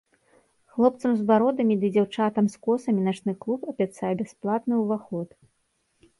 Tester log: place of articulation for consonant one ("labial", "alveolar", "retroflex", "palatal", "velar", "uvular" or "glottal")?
velar